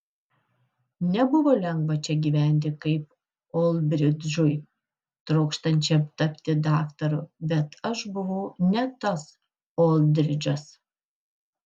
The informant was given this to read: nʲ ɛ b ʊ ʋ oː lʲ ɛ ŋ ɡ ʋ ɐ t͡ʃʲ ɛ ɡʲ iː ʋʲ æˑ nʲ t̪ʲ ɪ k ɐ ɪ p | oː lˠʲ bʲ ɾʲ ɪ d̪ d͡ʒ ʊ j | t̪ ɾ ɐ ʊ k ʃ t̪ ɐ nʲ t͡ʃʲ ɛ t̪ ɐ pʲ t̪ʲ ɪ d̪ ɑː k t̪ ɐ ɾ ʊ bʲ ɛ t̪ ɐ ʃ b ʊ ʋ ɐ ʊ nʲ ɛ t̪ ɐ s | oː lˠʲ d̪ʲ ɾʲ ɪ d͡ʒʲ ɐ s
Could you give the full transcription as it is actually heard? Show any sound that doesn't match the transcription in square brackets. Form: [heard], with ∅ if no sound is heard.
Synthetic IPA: nʲ ɛ b ʊ ʋ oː lʲ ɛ ŋ ɡ ʋ ɐ t͡ʃʲ ɛ ɡʲ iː ʋʲ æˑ nʲ t̪ʲ ɪ k ɐ ɪ p | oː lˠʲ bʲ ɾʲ ɪ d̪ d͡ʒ ʊ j | t̪ ɾ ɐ ʊ k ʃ t̪ ɐ nʲ t͡ʃʲ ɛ t̪ ɐ pʲ t̪ʲ ɪ d̪ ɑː k t̪ ɐ ɾ ʊ bʲ ɛ t̪ ɐ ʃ b ʊ ʋ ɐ ʊ nʲ ɛ t̪ ɐ s | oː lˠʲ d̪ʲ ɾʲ ɪ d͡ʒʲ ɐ s